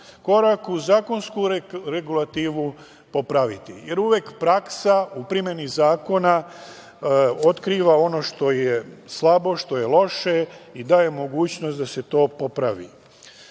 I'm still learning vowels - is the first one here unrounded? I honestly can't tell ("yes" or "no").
no